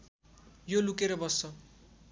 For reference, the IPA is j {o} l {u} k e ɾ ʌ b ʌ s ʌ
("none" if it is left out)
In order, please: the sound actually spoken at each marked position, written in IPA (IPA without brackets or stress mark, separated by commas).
o, u